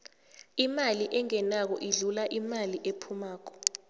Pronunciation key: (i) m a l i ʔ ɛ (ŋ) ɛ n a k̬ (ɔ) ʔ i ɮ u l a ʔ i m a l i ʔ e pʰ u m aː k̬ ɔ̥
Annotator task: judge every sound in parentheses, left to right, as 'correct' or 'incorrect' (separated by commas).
correct, correct, correct